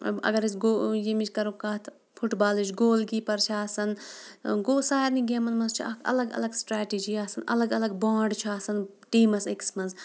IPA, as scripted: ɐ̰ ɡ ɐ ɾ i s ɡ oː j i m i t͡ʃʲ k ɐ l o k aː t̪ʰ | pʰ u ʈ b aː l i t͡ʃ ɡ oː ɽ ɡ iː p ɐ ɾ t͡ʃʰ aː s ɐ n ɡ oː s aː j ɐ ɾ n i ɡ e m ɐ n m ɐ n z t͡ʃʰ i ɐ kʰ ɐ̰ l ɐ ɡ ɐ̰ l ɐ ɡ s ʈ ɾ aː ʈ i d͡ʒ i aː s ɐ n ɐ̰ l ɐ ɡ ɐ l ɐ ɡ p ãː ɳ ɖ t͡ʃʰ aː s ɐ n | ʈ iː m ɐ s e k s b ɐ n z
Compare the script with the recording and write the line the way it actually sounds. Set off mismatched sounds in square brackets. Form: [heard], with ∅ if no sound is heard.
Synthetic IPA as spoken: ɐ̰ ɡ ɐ ɾ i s ɡ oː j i m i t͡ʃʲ k ɐ [ɾ] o k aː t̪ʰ | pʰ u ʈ b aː l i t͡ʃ ɡ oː [l] ɡ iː p ɐ ɾ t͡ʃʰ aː s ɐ n ɡ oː s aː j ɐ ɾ n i ɡ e m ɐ n m ɐ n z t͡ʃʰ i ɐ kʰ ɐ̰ l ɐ ɡ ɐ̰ l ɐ ɡ s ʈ ɾ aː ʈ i d͡ʒ i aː s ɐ n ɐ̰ l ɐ ɡ ɐ l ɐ ɡ [b] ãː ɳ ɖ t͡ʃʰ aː s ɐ n | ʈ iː m ɐ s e k s [m] ɐ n z